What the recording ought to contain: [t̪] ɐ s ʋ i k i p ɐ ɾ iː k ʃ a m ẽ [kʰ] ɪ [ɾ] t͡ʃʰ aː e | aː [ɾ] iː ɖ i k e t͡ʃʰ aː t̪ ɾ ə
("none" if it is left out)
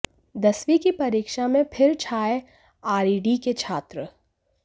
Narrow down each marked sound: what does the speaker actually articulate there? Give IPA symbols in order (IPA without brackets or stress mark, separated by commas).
d̪, pʰ, ɾ, ɾ